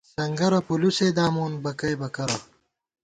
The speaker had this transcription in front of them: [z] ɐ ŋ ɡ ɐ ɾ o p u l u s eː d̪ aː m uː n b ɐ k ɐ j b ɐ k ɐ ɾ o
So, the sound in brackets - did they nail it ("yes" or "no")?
no